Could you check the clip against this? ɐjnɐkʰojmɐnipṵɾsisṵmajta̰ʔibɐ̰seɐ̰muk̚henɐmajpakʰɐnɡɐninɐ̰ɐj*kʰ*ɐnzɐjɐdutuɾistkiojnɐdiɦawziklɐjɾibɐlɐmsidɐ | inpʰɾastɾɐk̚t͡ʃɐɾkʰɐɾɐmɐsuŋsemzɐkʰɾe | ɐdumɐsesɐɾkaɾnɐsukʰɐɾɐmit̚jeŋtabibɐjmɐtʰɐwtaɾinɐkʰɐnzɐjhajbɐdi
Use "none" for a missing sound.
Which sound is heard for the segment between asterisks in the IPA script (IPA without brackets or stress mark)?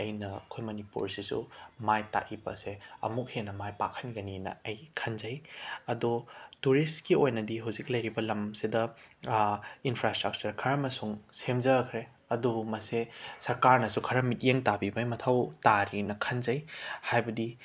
kʰ